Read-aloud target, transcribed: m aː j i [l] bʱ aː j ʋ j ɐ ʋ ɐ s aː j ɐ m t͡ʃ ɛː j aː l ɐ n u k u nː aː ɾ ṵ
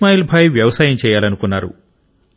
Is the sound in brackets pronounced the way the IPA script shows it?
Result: yes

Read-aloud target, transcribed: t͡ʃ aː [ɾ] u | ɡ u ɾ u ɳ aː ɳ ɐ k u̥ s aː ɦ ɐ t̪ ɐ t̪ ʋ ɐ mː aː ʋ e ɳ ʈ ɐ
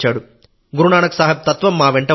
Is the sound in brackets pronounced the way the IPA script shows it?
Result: no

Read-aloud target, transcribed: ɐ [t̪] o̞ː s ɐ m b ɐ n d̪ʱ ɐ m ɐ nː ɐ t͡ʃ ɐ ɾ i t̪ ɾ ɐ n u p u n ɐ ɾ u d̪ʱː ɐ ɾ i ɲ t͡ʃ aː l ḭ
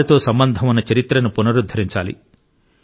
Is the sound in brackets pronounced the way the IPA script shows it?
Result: yes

